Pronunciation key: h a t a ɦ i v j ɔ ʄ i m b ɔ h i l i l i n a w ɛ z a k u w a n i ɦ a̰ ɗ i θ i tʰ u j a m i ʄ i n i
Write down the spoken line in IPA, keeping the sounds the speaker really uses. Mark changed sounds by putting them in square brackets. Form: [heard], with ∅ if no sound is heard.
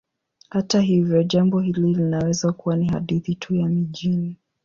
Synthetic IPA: h a t a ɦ i v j ɔ ʄ [a] m b ɔ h i l i l i n a w ɛ z a k u w a n i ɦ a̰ ɗ i θ i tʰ u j a m i ʄ i n i